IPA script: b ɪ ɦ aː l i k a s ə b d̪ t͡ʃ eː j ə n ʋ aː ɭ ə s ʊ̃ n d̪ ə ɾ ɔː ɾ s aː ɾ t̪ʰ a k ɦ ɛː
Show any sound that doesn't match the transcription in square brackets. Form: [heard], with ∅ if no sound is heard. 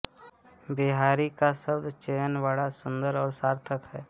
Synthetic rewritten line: b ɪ ɦ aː [ɾ] i k a s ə b d̪ t͡ʃ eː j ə n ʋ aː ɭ [a] s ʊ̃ n d̪ ə ɾ ɔː ɾ s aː ɾ t̪ʰ [ə] k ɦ ɛː